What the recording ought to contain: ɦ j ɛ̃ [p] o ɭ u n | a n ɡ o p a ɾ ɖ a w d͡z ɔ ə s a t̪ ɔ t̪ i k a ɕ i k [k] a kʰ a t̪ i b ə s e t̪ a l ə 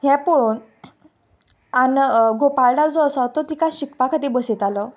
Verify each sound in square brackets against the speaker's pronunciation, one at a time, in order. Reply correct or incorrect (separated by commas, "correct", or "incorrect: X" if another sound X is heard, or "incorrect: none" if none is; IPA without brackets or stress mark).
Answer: correct, incorrect: p